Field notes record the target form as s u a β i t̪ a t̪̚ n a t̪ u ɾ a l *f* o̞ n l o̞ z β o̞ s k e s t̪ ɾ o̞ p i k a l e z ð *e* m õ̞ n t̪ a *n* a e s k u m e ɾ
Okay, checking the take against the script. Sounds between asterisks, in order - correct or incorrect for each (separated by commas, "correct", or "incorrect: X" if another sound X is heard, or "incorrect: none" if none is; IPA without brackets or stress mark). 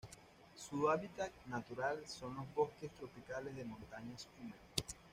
incorrect: s, correct, incorrect: ɲ